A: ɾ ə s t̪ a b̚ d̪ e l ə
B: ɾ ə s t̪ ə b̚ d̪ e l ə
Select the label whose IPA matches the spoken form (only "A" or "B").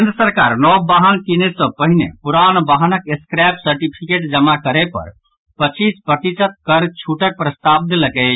A